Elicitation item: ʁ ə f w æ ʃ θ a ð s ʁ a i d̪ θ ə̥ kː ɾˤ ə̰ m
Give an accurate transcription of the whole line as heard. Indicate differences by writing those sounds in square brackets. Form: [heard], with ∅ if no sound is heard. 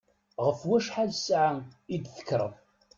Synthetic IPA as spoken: ʁ ə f w æ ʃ [ħ] a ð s [ʕ] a i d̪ θ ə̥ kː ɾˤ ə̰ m